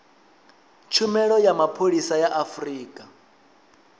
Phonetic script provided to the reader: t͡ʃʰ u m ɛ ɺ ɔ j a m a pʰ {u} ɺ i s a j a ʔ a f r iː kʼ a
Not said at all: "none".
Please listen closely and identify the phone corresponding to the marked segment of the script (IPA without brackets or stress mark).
o